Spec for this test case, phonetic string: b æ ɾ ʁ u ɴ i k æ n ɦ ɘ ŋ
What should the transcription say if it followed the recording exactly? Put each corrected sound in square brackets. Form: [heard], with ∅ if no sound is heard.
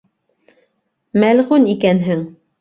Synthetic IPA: [m] æ [l] ʁ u [n] i k æ n ɦ ɘ ŋ

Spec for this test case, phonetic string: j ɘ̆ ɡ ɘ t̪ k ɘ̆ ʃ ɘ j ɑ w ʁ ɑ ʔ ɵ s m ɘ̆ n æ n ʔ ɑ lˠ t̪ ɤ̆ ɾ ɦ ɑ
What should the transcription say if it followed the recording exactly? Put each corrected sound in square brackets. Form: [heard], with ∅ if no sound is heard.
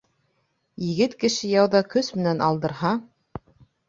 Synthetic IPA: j ɘ̆ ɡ ɘ t̪ k ɘ̆ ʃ ɘ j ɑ w [ð] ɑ [k] ɵ s m ɘ̆ n æ n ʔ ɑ lˠ [d̪] ɤ̆ ɾ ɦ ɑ

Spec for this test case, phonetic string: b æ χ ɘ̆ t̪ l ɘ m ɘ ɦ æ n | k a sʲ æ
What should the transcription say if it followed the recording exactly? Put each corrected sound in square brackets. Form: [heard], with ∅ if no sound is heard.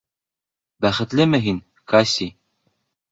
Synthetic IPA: b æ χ ɘ̆ t̪ l ɘ m ɘ ɦ [i] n | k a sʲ [i]

